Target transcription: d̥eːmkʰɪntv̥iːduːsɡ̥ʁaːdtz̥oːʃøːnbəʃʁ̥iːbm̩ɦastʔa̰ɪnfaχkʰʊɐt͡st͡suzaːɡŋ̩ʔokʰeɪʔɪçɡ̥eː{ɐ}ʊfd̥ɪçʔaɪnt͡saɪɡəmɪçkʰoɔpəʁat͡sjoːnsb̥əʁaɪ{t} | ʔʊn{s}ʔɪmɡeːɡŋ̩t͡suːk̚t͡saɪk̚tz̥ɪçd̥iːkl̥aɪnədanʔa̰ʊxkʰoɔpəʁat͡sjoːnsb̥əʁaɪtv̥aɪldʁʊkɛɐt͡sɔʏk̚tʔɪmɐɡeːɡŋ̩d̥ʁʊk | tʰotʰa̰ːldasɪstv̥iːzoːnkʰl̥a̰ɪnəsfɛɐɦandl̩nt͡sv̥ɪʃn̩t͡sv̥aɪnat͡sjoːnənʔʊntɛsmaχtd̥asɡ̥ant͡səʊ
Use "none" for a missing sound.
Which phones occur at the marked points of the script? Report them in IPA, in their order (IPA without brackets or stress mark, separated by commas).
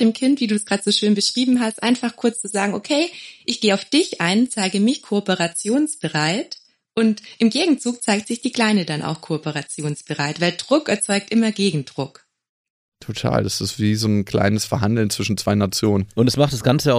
a, t, t